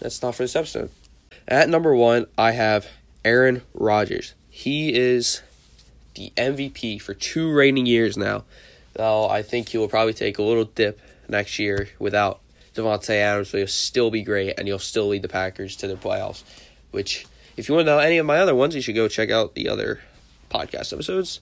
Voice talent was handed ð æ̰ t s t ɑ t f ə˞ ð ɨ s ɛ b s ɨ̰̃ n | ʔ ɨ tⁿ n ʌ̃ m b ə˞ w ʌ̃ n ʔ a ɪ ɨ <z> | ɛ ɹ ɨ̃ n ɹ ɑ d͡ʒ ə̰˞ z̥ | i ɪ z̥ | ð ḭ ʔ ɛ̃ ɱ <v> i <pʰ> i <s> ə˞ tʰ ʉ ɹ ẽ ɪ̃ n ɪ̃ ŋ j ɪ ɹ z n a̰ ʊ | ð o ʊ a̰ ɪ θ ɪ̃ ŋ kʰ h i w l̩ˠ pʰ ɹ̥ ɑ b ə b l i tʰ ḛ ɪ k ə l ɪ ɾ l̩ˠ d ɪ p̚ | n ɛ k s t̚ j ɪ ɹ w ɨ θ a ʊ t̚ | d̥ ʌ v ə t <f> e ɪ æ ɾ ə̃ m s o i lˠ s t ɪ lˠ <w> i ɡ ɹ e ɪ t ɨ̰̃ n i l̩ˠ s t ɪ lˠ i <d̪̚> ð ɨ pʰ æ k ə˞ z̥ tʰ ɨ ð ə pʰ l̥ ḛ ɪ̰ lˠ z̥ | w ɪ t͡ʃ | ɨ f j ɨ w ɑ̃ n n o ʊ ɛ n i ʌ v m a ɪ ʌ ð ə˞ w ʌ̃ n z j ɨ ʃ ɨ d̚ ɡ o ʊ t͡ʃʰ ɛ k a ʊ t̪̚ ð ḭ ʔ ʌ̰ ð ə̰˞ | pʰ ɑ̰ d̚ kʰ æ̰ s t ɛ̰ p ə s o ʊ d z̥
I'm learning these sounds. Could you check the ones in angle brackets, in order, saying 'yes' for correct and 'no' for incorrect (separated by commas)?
no, yes, yes, no, no, no, yes